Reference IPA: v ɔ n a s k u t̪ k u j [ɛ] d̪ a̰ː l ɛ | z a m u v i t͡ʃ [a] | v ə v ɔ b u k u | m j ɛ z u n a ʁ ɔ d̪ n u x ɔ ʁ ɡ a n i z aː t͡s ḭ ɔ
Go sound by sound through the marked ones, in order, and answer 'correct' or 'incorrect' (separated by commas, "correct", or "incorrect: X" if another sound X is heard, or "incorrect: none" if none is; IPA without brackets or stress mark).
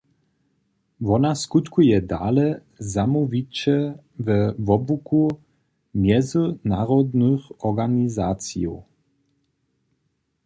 correct, incorrect: ɛ